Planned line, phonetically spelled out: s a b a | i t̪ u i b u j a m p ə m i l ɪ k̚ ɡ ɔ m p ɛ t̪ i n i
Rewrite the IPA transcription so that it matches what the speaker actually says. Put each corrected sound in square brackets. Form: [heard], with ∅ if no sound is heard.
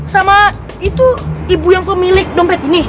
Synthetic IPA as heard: s a [m] a | i t̪ u i b u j a [ŋ] p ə m i l ɪ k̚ [d] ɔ m p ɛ t̪ i n i